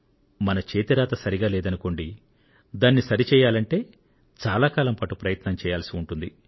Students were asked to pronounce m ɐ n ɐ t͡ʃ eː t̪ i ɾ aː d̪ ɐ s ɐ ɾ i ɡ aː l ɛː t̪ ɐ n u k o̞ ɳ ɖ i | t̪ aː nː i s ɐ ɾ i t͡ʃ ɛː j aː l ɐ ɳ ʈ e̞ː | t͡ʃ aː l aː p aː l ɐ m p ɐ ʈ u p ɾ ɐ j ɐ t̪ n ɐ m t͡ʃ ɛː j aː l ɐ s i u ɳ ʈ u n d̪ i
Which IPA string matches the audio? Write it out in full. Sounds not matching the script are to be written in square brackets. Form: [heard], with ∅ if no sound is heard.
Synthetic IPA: m ɐ n ɐ t͡ʃ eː t̪ i ɾ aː [t̪] ɐ s ɐ ɾ i ɡ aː l ɛː [d̪] ɐ n u k o̞ ɳ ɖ i | [d̪] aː nː i s ɐ ɾ i t͡ʃ ɛː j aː l ɐ ɳ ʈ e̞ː | t͡ʃ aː l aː [k] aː l ɐ m p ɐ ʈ u p ɾ ɐ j ɐ t̪ n ɐ m t͡ʃ ɛː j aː l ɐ s i u ɳ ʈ u n d̪ i